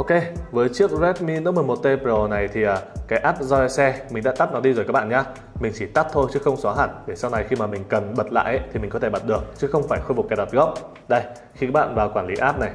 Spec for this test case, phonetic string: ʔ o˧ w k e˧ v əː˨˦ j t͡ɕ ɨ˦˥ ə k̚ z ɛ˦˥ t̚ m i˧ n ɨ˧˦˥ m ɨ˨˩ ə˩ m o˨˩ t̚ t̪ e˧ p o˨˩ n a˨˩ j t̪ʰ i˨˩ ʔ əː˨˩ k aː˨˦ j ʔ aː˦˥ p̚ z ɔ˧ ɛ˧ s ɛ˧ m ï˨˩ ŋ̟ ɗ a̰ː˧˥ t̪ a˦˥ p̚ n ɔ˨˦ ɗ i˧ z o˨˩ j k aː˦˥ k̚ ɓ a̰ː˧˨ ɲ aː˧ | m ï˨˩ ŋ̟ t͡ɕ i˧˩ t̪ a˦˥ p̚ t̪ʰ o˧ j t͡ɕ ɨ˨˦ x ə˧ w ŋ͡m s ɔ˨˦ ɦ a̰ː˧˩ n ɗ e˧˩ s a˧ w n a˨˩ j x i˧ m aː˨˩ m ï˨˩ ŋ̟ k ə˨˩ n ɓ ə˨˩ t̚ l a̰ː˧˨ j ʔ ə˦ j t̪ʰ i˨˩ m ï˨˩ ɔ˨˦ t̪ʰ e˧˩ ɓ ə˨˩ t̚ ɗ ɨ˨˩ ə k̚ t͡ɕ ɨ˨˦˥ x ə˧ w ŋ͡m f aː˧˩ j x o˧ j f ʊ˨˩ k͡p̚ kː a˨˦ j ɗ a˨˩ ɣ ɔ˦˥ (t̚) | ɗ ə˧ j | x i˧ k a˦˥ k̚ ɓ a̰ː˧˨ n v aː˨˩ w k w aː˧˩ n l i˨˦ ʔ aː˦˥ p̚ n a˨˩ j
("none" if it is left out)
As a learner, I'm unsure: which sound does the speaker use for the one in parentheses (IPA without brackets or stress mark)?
p̚